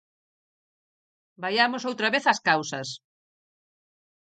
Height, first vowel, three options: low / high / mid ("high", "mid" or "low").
low